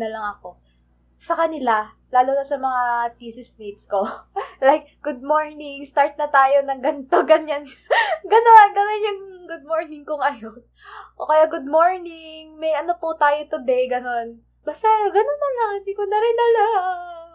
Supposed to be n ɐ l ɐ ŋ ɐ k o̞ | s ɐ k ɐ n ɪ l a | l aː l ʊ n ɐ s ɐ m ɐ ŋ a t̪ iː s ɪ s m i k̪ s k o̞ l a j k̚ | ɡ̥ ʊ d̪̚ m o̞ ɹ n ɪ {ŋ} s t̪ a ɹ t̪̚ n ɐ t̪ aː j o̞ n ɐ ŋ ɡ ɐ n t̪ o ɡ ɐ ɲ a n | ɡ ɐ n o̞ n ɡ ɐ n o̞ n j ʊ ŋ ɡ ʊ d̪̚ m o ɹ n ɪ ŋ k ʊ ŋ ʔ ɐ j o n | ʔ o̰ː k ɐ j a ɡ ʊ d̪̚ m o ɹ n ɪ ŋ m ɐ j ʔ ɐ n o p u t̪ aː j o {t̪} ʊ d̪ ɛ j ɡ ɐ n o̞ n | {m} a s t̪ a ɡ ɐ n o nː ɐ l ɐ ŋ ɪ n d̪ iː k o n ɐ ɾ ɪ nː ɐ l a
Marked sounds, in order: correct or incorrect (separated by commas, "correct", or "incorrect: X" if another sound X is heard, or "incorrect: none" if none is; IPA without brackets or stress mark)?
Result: correct, correct, incorrect: b